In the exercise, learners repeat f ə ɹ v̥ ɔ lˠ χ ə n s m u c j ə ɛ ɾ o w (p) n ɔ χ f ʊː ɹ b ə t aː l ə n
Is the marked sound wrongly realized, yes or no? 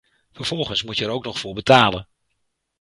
yes